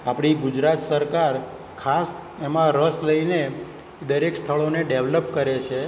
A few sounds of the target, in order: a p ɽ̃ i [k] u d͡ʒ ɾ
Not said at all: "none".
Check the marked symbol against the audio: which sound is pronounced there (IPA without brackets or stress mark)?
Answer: ɡ